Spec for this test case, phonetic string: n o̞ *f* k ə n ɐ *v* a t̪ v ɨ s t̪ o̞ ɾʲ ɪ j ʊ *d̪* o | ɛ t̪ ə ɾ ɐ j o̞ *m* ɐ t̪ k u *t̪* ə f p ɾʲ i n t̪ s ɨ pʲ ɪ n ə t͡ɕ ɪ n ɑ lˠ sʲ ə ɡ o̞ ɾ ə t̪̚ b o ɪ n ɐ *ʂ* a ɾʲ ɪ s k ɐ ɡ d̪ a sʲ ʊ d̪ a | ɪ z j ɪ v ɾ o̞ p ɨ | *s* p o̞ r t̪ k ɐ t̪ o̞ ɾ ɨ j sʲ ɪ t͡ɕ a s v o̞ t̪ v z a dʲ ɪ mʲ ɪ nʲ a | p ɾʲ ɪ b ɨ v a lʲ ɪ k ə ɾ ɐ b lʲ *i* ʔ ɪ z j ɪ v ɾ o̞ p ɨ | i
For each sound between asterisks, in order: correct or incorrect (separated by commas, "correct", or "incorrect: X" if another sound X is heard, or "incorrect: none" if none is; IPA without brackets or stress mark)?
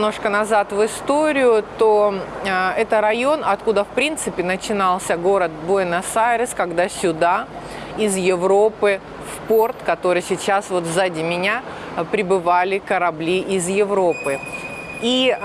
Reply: incorrect: ʂ, incorrect: z, incorrect: t̪, incorrect: n, incorrect: d̪, incorrect: s, incorrect: f, correct